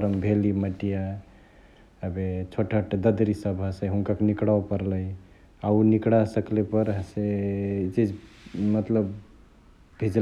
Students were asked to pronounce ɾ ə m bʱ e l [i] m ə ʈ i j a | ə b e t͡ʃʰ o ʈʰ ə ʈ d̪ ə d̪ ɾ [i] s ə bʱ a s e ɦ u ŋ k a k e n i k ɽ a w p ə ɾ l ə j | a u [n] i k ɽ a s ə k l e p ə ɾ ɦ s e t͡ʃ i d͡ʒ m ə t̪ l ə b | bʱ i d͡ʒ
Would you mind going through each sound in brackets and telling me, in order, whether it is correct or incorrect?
correct, correct, correct

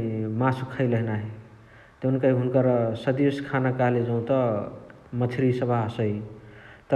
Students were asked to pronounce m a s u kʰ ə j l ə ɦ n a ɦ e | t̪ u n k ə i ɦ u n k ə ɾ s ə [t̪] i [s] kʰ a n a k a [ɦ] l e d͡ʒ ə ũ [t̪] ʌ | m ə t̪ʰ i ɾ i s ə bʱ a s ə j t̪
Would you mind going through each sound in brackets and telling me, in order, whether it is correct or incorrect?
incorrect: d̪, correct, correct, correct

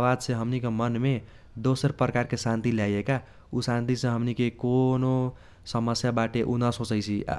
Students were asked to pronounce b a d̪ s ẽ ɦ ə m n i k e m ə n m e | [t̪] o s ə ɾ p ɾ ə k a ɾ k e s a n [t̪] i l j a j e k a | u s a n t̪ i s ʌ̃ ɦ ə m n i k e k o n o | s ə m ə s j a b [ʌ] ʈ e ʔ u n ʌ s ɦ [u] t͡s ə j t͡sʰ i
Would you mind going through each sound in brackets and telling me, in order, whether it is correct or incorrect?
incorrect: d̪, correct, incorrect: a, incorrect: o

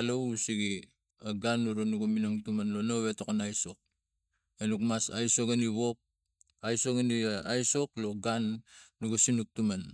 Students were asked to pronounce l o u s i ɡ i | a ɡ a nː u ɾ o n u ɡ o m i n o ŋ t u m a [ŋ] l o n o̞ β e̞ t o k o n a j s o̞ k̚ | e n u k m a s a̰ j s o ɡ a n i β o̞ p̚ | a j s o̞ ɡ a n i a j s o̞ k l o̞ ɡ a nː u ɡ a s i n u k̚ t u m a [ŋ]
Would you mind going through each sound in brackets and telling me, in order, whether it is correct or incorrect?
incorrect: n, incorrect: n

